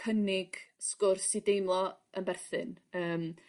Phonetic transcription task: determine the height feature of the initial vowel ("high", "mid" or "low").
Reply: mid